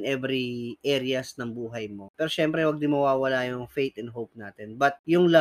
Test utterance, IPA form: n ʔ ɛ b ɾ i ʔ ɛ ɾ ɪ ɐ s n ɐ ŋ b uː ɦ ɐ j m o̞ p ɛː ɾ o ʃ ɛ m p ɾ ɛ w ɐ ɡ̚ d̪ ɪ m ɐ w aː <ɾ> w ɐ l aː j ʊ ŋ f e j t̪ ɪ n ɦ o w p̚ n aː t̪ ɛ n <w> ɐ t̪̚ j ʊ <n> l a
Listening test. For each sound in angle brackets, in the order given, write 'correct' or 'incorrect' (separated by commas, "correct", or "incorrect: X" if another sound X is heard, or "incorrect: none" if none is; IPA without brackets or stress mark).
incorrect: none, incorrect: b, incorrect: ŋ